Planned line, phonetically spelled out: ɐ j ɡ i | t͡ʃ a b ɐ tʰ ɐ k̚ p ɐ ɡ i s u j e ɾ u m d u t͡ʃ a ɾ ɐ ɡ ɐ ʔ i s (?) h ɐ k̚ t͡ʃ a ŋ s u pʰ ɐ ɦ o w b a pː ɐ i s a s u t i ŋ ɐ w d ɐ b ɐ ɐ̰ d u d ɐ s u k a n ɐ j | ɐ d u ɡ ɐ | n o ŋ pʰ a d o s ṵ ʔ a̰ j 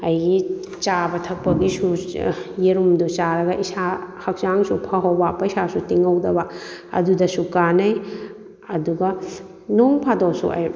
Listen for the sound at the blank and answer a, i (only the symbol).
a